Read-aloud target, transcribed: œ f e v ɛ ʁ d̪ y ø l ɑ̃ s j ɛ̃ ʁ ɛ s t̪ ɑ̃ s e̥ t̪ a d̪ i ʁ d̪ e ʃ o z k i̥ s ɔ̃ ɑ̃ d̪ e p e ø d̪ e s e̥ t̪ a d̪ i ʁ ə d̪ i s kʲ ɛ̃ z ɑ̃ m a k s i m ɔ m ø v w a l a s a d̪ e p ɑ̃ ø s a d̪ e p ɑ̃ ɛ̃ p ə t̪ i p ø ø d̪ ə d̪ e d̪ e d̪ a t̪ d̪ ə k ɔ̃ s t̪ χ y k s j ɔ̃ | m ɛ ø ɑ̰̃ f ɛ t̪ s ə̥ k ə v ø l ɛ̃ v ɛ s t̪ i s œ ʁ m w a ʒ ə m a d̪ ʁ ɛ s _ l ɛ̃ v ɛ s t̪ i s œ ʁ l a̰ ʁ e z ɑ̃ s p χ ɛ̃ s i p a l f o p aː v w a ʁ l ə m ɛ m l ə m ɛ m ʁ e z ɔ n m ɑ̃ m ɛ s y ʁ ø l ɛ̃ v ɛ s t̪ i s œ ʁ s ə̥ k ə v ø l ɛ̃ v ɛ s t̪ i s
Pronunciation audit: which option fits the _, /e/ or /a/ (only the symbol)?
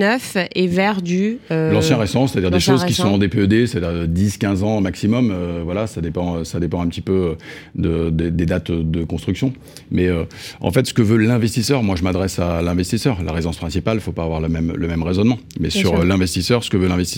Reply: a